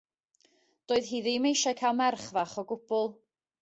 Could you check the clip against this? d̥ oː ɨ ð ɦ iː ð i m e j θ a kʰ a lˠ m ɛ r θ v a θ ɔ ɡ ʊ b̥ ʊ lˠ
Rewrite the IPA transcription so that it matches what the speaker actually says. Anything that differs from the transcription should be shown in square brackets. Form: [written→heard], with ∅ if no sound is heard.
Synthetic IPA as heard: d̥ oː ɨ ð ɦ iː ð i m e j [θ→ʃ] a kʰ a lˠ m ɛ r [θ→χ] v a [θ→χ] ɔ ɡ ʊ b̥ ʊ lˠ